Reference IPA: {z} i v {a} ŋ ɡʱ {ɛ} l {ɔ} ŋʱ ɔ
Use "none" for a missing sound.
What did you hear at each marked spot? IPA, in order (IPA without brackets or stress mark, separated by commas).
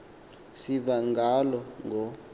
s, a, a, ɔ